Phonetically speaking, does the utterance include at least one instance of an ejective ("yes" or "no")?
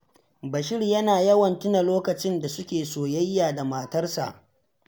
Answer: no